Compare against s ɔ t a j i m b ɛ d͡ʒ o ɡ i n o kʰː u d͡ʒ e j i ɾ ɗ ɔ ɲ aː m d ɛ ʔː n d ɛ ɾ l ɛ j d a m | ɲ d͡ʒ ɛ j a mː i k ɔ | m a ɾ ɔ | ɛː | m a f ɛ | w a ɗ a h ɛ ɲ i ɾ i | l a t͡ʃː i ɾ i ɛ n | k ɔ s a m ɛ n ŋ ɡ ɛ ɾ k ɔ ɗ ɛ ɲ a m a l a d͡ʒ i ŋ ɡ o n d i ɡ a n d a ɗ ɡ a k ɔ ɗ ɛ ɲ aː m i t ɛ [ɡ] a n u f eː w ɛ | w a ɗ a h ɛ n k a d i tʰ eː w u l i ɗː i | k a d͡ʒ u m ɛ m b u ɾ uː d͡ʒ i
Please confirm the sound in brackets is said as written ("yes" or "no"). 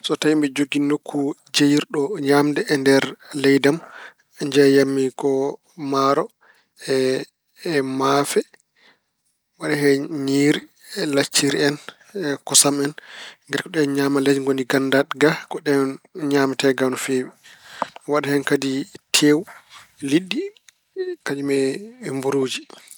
yes